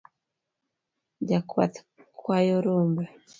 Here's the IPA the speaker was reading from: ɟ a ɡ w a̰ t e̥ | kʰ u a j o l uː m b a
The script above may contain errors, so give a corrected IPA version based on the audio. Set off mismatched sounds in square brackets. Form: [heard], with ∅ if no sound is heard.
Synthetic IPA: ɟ a [k] w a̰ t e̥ | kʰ [w] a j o [ɾ] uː m b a